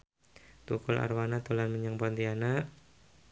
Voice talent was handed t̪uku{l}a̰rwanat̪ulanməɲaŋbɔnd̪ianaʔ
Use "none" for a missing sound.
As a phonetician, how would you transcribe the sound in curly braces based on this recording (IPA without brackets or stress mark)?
l